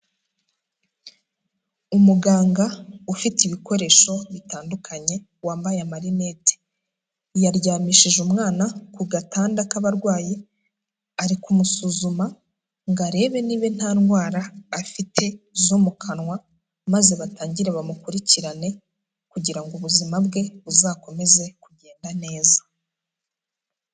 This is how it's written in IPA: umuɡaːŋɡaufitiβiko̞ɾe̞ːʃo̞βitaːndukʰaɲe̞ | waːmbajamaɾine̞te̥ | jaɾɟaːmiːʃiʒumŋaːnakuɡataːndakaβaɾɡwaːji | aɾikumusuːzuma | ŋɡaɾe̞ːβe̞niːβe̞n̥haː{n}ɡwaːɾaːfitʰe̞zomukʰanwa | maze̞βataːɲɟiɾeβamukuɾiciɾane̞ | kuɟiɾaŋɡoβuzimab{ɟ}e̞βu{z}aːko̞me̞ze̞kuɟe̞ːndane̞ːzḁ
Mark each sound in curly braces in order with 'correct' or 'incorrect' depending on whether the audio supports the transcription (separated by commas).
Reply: correct, incorrect, correct